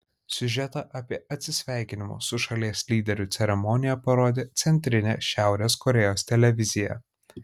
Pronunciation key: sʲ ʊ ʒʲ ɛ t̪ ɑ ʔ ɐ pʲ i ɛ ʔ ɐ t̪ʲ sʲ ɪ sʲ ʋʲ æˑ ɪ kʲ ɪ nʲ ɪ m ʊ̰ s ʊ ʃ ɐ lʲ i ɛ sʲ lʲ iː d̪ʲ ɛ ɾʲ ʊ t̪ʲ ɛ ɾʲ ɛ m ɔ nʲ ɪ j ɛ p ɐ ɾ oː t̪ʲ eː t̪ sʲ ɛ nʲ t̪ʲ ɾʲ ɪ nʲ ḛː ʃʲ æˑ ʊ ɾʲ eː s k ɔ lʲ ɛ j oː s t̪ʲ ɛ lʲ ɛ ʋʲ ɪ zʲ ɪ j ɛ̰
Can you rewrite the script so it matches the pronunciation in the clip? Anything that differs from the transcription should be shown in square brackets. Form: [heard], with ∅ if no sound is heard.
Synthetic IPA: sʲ ʊ ʒʲ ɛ t̪ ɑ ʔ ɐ pʲ i ɛ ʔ ɐ t̪ʲ sʲ ɪ sʲ ʋʲ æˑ ɪ kʲ ɪ nʲ ɪ m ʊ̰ s ʊ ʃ ɐ lʲ i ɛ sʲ lʲ iː d̪ʲ ɛ ɾʲ ʊ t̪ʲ ɛ ɾʲ ɛ m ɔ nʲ ɪ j ɛ p ɐ ɾ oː [d̪ʲ] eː t̪ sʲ ɛ nʲ t̪ʲ ɾʲ ɪ nʲ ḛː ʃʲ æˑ ʊ ɾʲ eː s k ɔ [ɾʲ] ɛ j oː s t̪ʲ ɛ lʲ ɛ ʋʲ ɪ zʲ ɪ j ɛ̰